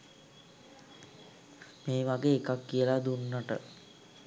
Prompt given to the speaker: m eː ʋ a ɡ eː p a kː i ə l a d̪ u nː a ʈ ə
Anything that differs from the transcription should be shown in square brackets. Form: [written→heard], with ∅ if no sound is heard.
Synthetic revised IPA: m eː ʋ a ɡ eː [p→k] a kː i ə l a d̪ u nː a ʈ ə